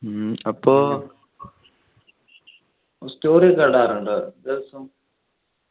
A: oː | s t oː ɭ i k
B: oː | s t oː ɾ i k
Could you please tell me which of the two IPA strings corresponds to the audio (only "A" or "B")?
B